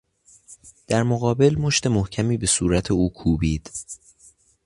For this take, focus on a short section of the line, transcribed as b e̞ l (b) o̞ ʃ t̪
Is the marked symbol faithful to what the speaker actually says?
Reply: no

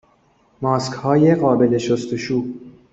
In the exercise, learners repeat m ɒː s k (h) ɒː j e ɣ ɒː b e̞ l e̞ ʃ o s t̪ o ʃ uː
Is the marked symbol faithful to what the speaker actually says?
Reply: yes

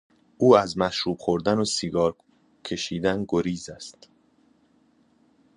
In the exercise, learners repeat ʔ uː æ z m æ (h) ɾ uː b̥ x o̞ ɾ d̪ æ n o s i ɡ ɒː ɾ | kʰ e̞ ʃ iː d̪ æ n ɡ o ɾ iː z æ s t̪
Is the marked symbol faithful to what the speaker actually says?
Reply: no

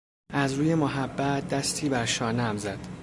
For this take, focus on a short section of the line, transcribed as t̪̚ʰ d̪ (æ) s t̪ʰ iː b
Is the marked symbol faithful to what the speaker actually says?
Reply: yes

